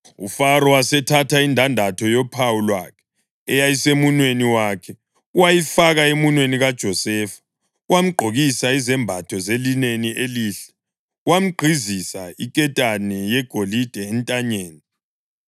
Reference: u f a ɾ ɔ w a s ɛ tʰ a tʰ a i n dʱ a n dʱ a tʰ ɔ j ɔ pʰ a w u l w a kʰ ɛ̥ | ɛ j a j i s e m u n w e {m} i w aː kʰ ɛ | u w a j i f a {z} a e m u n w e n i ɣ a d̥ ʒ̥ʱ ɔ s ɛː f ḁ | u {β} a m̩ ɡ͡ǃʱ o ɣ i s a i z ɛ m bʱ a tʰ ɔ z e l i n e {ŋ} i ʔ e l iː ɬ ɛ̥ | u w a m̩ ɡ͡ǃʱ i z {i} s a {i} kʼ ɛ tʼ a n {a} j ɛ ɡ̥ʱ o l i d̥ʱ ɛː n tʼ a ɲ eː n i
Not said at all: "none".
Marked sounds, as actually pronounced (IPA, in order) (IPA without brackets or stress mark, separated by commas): n, ɣ, w, n, i, i, ɛ